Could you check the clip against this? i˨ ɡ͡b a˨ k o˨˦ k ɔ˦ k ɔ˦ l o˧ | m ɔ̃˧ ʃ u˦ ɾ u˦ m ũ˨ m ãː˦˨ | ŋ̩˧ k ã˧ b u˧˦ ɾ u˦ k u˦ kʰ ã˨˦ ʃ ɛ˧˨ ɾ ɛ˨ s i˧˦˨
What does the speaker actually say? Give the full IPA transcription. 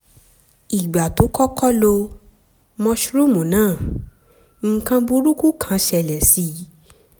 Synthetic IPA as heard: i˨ ɡ͡b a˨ t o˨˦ k ɔ˦ k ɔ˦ l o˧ | m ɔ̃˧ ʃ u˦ ɾ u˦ m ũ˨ n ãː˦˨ | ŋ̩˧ k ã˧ b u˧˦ ɾ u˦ k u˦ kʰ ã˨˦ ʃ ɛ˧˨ l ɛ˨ s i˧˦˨